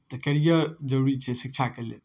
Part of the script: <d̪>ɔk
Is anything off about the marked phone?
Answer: yes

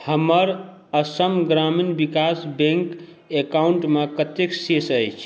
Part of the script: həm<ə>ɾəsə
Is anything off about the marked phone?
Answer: no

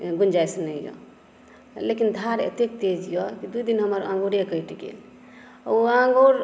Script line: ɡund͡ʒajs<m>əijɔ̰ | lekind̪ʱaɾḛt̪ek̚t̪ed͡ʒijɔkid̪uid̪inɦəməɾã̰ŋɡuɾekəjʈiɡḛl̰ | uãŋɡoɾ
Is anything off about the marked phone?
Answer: yes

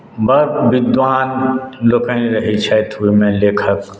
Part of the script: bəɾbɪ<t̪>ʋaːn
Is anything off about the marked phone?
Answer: yes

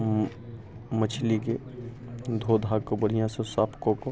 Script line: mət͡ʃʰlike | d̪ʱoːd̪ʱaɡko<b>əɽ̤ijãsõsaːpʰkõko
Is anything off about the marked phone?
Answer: no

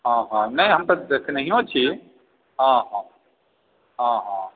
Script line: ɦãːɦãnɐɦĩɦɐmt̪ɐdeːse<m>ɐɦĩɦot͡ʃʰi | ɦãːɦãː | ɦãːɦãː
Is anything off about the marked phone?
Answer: yes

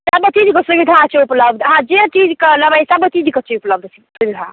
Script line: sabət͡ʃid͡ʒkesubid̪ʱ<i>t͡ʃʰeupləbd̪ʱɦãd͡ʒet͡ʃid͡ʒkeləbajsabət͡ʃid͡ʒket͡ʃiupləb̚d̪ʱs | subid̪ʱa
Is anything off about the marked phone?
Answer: yes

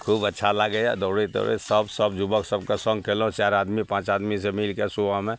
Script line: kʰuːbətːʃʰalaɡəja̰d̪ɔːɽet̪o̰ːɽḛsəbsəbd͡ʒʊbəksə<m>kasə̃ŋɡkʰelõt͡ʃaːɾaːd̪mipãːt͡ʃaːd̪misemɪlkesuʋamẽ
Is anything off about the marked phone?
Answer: yes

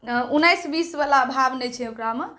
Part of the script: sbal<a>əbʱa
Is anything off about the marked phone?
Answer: no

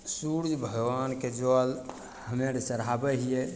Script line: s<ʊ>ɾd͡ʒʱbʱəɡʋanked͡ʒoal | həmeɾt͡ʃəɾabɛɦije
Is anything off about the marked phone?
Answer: yes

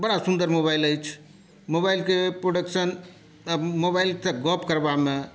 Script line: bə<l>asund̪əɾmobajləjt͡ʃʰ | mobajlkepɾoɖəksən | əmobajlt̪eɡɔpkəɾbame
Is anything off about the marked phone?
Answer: yes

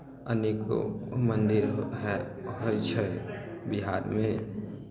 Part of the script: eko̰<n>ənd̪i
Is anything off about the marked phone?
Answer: yes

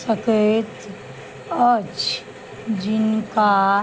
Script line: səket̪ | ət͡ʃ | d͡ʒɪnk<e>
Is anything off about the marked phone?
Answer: yes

